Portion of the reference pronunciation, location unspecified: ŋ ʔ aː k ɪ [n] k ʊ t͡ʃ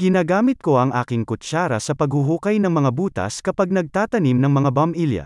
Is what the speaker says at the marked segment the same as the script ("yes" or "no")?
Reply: no